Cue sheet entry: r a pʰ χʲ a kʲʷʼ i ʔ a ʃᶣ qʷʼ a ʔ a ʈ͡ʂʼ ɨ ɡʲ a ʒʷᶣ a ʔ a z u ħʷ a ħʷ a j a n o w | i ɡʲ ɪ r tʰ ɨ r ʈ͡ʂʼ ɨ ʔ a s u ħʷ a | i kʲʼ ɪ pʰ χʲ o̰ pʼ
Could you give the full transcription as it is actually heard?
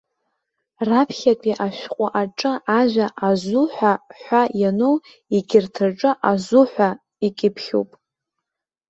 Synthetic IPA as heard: r a pʰ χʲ a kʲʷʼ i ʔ a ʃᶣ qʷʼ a ʔ a ʈ͡ʂʼ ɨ a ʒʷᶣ a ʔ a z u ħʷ a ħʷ a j a n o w | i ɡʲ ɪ r tʰ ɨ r ʈ͡ʂʼ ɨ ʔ a z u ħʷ a | i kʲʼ ɪ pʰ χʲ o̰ pʼ